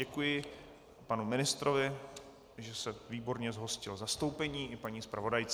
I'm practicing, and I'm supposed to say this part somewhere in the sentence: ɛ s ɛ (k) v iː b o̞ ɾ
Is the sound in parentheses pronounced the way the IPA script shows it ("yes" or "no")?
no